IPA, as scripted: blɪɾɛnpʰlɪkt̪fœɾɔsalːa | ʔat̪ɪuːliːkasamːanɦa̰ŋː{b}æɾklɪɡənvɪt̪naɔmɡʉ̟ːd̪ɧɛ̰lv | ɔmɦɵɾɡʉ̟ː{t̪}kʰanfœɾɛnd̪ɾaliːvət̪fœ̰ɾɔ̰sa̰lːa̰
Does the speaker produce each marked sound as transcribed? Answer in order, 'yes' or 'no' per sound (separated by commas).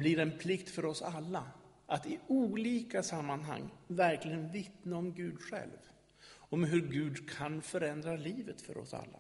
no, no